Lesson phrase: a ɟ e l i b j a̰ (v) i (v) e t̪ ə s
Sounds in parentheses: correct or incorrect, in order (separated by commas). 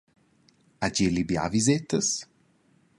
correct, incorrect